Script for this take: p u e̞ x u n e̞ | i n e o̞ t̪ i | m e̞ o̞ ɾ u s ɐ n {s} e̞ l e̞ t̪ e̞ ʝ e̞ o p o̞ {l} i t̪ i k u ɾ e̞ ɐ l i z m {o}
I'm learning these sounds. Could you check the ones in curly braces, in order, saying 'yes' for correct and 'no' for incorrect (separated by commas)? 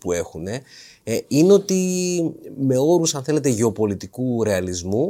no, yes, no